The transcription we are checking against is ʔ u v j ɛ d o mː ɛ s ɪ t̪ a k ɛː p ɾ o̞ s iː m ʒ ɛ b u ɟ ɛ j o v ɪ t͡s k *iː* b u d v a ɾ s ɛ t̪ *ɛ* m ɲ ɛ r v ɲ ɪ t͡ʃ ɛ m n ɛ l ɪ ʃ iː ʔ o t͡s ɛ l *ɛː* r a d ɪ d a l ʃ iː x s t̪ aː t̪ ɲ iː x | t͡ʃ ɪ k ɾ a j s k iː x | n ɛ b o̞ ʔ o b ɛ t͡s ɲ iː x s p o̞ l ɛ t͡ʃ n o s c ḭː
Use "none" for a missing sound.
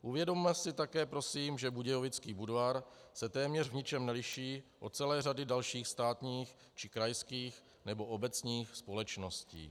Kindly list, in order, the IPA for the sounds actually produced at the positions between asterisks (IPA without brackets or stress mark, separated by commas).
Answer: iː, ɛː, ɛː